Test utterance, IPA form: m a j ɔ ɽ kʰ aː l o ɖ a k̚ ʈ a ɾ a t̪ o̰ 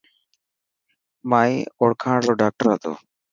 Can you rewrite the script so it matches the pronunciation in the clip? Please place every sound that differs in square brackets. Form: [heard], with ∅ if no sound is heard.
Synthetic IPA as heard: m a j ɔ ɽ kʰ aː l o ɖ a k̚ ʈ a ɾ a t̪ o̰